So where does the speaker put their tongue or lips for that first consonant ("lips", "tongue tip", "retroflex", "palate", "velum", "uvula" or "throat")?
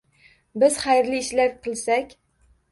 lips